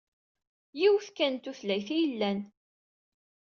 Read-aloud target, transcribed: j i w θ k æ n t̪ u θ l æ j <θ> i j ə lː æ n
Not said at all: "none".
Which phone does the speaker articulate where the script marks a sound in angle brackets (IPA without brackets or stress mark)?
θ